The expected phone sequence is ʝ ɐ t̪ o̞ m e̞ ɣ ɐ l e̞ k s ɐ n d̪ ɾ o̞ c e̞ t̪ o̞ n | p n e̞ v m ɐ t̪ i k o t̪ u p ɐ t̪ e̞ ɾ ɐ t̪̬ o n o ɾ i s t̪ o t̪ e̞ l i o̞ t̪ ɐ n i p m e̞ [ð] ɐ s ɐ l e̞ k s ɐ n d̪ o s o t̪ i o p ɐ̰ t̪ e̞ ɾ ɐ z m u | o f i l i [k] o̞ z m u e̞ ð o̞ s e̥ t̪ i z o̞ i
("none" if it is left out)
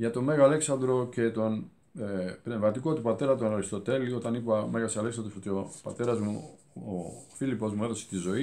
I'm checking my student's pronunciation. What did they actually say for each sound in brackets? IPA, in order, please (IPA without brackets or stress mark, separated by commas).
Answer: ɣ, p